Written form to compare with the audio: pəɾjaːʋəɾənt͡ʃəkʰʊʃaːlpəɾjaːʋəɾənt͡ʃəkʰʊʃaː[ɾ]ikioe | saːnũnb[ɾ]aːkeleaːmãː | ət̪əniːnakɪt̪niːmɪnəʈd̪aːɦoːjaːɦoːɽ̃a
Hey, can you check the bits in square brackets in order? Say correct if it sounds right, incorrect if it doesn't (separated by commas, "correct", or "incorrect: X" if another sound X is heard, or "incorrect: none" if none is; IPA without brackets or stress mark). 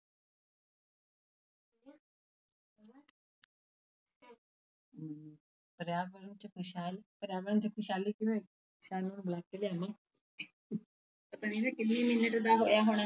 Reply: incorrect: l, incorrect: l